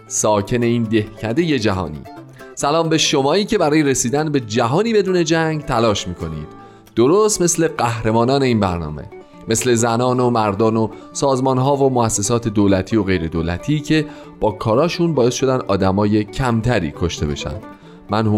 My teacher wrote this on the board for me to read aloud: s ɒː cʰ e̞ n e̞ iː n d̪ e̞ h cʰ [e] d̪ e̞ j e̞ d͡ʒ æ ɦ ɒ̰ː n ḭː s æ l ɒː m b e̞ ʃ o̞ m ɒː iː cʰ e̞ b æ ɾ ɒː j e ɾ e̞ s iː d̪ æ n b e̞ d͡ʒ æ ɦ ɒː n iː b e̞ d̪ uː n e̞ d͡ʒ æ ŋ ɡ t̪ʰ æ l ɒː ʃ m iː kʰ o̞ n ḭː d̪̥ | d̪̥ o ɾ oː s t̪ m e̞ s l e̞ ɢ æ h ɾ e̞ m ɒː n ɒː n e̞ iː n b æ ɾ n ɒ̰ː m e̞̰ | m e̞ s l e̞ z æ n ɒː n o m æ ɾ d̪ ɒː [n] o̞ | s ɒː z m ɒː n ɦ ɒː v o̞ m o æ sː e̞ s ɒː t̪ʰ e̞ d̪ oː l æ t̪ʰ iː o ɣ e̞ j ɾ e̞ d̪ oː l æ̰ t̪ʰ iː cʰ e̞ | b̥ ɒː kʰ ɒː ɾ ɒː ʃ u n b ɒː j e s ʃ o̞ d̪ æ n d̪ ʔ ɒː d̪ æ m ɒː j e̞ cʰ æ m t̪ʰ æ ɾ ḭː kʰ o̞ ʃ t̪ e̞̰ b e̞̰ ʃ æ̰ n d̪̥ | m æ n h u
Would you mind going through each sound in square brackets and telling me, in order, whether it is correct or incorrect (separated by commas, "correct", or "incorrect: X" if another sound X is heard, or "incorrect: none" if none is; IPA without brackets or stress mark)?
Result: incorrect: æ, correct